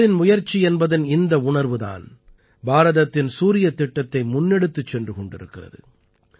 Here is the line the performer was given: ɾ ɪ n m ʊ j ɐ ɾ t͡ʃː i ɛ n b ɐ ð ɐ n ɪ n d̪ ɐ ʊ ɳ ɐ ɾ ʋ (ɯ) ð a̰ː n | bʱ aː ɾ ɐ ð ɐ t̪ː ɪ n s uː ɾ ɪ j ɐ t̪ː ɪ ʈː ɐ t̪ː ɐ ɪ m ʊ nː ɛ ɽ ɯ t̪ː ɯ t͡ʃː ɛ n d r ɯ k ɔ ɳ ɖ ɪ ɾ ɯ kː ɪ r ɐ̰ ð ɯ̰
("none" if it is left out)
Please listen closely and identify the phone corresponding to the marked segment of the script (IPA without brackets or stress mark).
ɯ